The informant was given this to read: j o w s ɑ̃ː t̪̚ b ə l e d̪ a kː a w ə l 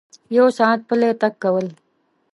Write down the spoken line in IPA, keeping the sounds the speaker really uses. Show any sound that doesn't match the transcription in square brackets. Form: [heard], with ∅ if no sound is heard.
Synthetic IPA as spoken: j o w s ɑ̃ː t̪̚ [p] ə l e [t̪] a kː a w ə l

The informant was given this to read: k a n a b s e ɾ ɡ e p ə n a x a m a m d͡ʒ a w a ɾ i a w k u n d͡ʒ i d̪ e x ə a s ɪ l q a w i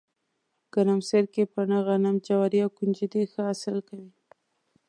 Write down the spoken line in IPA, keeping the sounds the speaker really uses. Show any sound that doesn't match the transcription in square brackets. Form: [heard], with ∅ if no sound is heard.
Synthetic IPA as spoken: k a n a [m] s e ɾ [k] e p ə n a [ɣ] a [n] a m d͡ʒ a w a ɾ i a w k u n d͡ʒ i d̪ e x ə a s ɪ l [k] a w i

